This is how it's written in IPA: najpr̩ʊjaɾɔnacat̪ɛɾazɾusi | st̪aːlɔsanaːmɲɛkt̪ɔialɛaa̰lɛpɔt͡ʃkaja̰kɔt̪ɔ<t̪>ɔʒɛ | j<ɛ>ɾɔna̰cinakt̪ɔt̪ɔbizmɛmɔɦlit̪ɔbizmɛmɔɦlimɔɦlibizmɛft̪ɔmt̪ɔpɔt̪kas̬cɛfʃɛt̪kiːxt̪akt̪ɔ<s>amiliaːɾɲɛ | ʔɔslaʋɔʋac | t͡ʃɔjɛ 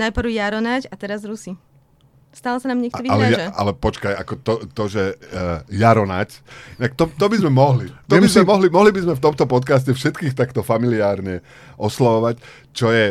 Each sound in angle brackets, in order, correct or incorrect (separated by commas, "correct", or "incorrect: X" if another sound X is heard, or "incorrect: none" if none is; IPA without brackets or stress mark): correct, incorrect: a, incorrect: f